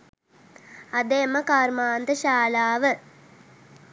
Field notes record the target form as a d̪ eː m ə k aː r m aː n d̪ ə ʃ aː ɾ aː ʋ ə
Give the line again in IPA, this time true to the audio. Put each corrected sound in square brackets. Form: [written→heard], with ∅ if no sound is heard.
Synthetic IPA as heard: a d̪ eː m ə k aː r m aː n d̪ ə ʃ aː [ɾ→l] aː ʋ ə